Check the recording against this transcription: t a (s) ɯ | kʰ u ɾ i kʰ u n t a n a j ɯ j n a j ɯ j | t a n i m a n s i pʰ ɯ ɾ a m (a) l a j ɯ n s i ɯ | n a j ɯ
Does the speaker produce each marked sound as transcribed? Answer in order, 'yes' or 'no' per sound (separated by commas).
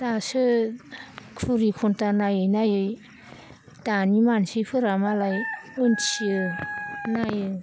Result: yes, yes